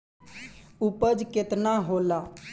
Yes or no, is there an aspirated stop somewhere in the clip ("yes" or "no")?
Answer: no